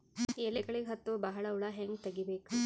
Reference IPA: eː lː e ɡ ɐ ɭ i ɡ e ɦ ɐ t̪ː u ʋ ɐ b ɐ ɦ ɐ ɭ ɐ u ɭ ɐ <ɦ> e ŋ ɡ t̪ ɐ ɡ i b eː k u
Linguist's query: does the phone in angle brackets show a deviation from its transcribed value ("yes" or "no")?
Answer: no